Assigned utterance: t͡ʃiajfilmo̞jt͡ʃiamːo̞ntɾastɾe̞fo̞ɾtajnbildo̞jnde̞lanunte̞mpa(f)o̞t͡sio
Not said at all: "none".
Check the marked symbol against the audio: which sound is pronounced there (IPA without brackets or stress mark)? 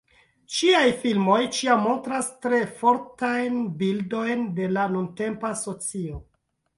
s